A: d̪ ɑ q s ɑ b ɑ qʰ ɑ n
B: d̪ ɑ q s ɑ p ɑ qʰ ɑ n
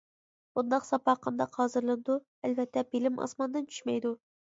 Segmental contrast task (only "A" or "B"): B